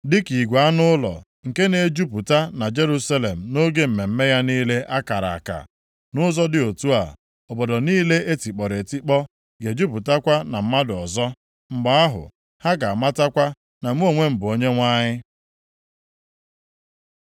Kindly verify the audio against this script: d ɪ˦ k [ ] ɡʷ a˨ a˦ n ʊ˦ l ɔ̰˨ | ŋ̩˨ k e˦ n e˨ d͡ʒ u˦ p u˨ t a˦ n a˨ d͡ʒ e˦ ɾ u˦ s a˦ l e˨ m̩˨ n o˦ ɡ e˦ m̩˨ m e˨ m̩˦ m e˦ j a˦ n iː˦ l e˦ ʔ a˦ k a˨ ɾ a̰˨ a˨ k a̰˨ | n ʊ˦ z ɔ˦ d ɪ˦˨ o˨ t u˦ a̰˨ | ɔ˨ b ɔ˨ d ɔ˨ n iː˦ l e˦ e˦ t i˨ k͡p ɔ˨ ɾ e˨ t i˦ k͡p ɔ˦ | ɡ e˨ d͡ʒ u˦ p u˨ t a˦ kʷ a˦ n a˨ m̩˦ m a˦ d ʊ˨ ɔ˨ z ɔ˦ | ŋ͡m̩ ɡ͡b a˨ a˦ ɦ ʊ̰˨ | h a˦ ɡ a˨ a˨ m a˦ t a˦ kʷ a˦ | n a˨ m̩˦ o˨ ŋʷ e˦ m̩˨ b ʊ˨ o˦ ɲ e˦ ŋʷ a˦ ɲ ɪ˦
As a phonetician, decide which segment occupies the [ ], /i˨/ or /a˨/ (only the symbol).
i˨